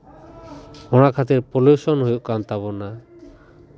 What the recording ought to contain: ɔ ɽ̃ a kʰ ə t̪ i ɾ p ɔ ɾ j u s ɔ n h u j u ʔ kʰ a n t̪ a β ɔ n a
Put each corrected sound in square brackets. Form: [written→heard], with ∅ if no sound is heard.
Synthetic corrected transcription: ɔ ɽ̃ a kʰ [ə→a] t̪ i ɾ p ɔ [ɾ→l] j u s ɔ n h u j u ʔ [kʰ→k] a n t̪ a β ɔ n a